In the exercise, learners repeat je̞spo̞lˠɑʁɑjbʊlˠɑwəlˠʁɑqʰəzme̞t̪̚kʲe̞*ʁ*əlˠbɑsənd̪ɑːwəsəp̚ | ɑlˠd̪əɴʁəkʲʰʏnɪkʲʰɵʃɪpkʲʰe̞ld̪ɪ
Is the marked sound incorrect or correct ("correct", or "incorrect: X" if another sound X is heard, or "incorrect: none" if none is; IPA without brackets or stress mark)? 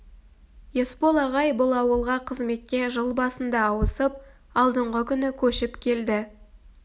incorrect: ʒ